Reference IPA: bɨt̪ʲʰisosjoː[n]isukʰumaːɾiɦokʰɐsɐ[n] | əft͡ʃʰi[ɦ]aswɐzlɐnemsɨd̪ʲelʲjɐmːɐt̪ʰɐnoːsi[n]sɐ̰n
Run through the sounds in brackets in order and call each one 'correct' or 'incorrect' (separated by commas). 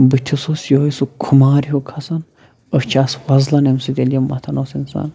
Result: incorrect, correct, incorrect, correct